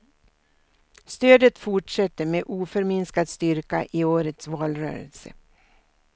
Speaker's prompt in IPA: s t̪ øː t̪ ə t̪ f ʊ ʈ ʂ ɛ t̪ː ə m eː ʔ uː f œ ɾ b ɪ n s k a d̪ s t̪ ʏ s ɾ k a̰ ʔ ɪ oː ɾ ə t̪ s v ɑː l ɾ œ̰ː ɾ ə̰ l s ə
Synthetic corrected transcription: s t̪ øː d̪ ə t̪ f ʊ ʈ ʂ ɛ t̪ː ə m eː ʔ uː f œ ɾ m ɪ n s k a d̪ s t̪ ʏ ɾ k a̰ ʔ ɪ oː ɾ ə t̪ s v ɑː l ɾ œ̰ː ɾ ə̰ l s ə